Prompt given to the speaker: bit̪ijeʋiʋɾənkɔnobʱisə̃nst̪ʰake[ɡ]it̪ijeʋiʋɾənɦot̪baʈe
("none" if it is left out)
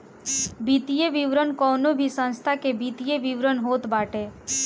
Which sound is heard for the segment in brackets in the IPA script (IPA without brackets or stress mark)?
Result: b